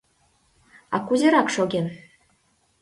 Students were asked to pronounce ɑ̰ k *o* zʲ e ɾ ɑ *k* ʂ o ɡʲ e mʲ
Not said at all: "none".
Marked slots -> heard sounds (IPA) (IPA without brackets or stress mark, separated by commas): u, k